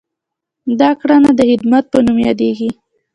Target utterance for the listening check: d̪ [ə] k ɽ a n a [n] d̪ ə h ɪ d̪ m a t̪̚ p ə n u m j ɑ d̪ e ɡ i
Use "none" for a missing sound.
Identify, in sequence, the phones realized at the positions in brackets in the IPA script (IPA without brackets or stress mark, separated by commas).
ɑ, none